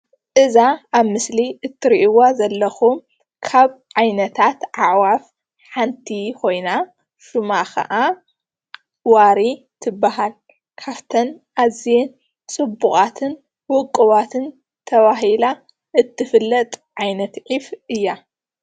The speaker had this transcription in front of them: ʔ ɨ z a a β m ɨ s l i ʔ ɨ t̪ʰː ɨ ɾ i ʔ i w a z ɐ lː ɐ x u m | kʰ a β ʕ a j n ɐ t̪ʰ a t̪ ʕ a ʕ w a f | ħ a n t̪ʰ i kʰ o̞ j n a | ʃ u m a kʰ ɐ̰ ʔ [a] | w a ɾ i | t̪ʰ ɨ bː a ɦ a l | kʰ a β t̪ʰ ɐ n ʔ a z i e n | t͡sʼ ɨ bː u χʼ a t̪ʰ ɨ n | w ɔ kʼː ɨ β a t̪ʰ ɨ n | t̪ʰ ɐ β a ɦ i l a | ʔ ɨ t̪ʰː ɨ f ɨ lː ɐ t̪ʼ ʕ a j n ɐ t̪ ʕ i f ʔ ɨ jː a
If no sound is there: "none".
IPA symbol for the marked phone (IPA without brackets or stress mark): a